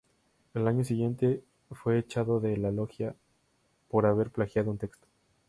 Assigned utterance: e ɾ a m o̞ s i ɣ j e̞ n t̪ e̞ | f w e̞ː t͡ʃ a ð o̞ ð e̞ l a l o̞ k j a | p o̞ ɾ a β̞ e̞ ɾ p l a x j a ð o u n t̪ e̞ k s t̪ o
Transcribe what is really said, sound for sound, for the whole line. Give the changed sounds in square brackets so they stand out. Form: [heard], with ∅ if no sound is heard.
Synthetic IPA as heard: e [l] a [ɲ] o̞ s i ɣ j e̞ n t̪ e̞ | f w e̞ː t͡ʃ a ð o̞ ð e̞ l a l o̞ [x] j a | p o̞ ɾ a β̞ e̞ ɾ p l a x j a ð o u n t̪ e̞ k s t̪ o